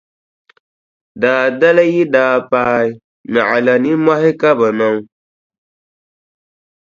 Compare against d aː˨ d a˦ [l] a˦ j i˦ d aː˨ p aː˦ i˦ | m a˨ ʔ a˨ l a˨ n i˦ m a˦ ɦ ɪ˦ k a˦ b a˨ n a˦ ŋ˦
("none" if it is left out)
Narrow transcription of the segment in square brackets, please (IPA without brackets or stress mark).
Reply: l